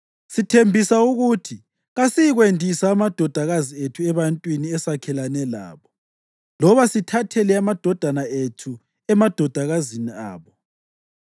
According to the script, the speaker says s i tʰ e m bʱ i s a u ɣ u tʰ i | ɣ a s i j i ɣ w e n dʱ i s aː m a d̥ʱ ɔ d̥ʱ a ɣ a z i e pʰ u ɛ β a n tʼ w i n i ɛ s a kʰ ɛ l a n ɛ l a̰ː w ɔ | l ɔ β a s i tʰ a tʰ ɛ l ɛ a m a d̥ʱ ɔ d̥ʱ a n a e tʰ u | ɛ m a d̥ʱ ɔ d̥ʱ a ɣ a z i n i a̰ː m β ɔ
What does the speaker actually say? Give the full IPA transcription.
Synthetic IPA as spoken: s i tʰ e m bʱ i s a u ɣ u tʰ i | ɣ a s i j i ɣ w e n dʱ i s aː m a d̥ʱ ɔ d̥ʱ a ɣ a z i e tʰ u ɛ β a n tʼ w i n i ɛ s a kʰ ɛ l a n ɛ l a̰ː β ɔ | l ɔ β a s i tʰ a tʰ ɛ l ɛ a m a d̥ʱ ɔ d̥ʱ a n a e tʰ u | ɛ m a d̥ʱ ɔ d̥ʱ a ɣ a z i n i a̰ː β ɔ